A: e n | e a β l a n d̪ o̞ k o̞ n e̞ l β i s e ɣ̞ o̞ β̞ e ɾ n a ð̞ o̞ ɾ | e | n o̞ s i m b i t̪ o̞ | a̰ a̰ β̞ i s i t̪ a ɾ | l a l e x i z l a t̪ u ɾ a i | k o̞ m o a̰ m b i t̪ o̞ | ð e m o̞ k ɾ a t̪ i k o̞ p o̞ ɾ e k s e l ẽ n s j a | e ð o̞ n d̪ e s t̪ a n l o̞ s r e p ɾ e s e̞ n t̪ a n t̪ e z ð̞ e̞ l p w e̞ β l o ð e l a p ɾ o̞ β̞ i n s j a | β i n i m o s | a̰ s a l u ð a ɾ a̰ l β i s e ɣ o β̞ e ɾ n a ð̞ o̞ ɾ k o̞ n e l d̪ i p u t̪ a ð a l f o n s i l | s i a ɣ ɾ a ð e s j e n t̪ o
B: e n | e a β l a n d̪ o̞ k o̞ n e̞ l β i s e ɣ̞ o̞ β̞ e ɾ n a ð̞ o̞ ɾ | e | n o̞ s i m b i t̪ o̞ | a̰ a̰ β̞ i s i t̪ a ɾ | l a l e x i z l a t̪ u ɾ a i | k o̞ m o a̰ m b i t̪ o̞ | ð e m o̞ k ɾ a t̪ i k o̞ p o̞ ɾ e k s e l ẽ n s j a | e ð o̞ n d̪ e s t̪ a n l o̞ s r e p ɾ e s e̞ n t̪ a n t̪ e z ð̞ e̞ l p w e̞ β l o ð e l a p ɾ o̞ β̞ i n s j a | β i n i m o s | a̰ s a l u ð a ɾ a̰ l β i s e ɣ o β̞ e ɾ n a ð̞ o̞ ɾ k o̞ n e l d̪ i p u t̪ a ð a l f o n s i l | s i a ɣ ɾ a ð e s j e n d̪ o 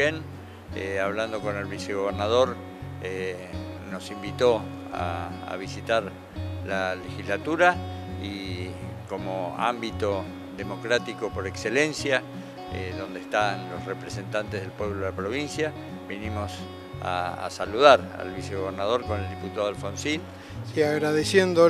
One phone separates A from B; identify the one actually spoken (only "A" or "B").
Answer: B